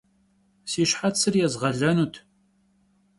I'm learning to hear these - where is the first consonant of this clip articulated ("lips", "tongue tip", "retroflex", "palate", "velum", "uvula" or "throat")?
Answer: tongue tip